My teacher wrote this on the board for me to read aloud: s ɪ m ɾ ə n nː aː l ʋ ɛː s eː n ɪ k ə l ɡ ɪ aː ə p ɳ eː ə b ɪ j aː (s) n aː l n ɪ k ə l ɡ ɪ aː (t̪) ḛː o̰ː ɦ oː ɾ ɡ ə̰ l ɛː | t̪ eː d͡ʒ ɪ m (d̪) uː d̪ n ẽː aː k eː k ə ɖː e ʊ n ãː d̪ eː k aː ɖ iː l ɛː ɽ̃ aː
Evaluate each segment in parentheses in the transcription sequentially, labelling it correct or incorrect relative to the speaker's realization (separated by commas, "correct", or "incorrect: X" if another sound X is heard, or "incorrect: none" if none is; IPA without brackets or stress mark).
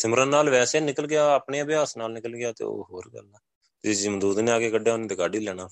correct, correct, correct